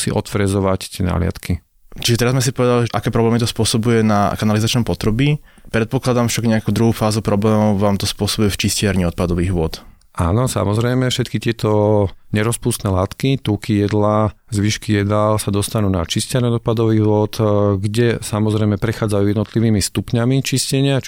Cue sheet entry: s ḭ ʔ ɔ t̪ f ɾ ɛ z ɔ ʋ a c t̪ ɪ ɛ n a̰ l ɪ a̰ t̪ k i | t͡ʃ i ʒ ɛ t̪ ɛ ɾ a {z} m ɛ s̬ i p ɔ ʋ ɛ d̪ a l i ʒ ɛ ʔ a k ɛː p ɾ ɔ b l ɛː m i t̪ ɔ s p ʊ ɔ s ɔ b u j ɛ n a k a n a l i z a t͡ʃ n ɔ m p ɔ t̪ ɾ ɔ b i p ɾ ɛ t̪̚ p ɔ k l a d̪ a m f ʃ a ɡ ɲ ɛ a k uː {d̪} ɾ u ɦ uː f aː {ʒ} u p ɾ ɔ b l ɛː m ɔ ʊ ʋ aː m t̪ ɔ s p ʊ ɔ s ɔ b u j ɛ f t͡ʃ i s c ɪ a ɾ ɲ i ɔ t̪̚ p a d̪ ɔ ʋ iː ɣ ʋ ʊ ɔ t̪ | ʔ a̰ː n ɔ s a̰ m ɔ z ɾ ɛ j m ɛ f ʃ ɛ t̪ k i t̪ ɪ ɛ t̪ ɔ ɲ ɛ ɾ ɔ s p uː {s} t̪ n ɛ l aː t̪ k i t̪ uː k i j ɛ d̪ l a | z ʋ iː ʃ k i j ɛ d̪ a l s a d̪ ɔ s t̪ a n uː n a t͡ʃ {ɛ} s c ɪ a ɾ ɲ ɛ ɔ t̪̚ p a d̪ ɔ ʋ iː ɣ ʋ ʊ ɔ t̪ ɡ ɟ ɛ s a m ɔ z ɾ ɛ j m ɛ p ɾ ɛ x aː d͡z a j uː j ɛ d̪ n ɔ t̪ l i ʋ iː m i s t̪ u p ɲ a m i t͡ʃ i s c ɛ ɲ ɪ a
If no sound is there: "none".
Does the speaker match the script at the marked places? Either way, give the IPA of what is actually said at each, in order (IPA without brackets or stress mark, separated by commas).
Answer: z, d̪, z, s, i